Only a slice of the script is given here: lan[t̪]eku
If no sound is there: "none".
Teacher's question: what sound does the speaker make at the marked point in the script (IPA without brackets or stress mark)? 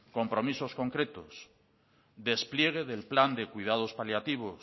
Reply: d̪